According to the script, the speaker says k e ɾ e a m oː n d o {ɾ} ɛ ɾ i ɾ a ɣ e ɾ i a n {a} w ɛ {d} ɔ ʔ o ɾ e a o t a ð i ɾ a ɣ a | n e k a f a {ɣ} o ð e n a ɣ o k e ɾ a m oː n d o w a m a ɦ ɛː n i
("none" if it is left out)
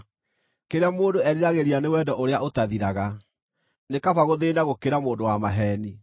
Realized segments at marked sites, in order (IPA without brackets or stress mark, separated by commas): none, e, d, ɣ